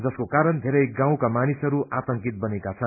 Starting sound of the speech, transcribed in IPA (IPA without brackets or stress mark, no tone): d͡z